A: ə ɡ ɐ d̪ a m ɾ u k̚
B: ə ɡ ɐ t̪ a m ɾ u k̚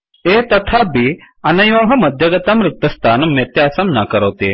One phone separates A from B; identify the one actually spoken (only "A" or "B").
B